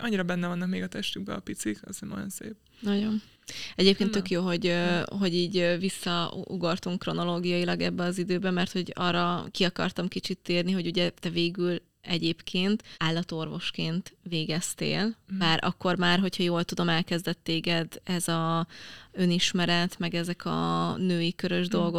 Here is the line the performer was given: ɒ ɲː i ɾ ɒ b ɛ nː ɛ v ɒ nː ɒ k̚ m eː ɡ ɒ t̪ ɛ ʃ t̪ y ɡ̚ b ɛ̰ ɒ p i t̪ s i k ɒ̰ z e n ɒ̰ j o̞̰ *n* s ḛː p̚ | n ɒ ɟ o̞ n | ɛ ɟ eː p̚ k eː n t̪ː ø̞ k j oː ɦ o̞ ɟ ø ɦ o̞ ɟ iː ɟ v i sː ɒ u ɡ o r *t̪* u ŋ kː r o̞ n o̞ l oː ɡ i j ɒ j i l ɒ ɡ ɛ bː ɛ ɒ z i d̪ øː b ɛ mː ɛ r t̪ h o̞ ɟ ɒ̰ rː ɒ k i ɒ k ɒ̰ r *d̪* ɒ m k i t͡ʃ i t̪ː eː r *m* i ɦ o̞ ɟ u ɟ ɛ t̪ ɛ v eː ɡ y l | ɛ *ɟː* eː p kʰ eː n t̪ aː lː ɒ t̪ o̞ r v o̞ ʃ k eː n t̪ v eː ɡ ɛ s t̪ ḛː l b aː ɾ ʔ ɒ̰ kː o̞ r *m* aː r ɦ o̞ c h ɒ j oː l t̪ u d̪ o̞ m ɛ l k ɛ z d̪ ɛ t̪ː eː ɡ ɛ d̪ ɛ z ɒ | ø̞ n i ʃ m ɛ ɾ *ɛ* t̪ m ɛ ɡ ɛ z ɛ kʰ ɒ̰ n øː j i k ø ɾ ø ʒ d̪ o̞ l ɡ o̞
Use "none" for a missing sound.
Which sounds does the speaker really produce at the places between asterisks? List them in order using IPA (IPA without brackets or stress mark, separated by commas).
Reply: n, t̪, t̪, n, ɟ, m, ɛ